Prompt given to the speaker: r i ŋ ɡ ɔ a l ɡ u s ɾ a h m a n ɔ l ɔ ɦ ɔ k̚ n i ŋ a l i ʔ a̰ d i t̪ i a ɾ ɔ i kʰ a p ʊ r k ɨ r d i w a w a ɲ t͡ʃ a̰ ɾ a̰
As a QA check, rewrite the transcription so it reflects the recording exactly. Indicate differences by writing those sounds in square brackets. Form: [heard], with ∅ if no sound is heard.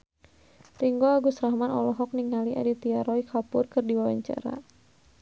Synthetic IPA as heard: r i ŋ ɡ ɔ a [∅] ɡ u s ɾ a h m a n ɔ l ɔ ɦ ɔ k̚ n i ŋ a l i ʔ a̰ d i t̪ i a ɾ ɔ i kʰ a p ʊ r k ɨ r d i w a w a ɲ t͡ʃ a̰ ɾ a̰